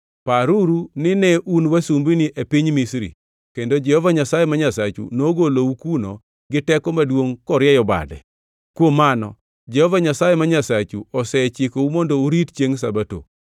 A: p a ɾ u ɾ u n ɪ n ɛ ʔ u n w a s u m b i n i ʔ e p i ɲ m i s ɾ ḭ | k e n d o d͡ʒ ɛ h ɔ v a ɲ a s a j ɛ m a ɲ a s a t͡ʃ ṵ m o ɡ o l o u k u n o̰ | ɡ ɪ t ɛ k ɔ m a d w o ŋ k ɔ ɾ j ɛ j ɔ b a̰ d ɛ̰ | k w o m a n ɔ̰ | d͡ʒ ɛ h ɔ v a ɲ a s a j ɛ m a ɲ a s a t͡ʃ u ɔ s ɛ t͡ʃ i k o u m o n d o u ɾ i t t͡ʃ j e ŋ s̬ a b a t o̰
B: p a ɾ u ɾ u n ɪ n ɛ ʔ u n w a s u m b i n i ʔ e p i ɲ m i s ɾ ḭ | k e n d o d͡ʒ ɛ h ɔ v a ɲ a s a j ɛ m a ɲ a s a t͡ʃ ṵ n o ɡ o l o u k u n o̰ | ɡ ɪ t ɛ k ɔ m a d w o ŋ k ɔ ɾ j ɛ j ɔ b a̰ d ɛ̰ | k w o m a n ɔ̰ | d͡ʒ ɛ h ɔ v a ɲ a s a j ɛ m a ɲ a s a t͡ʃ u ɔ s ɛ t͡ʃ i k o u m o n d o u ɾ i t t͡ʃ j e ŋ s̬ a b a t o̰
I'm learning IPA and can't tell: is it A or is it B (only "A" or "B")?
B